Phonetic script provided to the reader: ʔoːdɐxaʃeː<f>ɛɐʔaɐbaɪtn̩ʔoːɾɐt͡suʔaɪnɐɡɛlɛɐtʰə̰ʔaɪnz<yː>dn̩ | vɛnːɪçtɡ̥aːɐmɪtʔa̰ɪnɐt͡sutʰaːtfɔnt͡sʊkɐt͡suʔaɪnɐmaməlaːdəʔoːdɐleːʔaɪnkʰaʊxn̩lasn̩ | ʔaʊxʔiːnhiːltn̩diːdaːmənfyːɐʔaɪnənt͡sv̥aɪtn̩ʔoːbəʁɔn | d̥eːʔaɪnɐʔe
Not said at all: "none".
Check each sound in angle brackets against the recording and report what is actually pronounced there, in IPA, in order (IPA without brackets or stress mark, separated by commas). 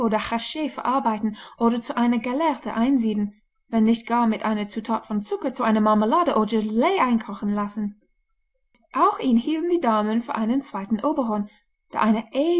f, iː